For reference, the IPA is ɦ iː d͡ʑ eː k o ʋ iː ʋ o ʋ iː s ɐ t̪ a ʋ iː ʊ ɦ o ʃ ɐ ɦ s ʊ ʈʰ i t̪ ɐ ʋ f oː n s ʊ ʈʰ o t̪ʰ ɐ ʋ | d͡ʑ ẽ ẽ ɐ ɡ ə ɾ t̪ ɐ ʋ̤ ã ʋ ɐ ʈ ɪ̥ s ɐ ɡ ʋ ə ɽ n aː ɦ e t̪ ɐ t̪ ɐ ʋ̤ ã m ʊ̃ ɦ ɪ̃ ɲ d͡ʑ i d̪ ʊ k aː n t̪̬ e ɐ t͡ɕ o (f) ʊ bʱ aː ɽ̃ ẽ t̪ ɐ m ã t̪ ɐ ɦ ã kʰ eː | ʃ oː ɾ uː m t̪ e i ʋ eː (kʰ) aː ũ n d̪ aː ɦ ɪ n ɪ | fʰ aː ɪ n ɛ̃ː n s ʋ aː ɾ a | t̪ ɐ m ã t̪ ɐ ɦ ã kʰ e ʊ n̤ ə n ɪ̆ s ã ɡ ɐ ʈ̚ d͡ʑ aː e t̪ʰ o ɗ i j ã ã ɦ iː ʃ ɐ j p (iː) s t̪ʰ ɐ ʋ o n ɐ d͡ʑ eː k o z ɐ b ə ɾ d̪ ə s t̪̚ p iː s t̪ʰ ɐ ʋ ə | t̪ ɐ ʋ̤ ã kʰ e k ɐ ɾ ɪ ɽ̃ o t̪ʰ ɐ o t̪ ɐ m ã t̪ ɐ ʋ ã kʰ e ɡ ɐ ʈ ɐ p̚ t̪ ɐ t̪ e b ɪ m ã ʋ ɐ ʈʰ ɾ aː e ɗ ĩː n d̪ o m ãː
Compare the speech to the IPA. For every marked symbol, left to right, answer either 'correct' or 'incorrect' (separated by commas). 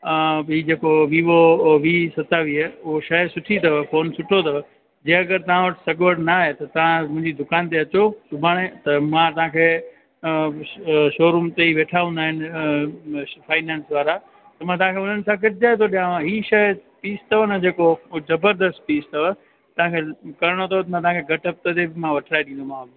incorrect, incorrect, correct